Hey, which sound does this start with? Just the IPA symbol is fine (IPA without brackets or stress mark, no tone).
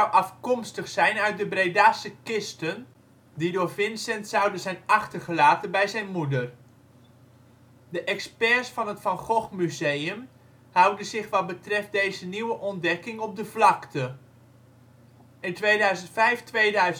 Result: w